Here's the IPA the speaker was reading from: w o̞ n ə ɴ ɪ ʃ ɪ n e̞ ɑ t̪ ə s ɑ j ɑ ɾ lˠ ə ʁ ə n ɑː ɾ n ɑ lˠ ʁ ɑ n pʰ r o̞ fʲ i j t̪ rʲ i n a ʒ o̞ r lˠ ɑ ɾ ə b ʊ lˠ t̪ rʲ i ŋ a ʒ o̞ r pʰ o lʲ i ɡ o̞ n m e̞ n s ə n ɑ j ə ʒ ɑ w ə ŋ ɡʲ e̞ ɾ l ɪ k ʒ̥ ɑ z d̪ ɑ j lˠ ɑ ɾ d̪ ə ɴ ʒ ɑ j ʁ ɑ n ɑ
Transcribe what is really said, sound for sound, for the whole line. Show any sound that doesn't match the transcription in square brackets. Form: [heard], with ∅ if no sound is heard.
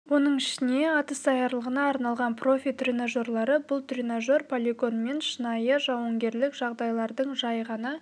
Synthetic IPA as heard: w o̞ n ə ɴ ɪ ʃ ɪ n e̞ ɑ t̪ ə s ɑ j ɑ ɾ lˠ ə ʁ ə n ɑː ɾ n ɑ lˠ ʁ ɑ n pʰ r o̞ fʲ i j t̪ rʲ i n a ʒ o̞ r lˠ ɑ ɾ ə b ʊ lˠ t̪ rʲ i [n] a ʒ o̞ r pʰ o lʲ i ɡ o̞ n m e̞ n [ʃ] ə n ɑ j ə ʒ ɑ w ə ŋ ɡʲ e̞ ɾ l ɪ k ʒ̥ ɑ [ʁ] d̪ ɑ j lˠ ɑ ɾ d̪ ə ɴ ʒ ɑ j ʁ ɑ n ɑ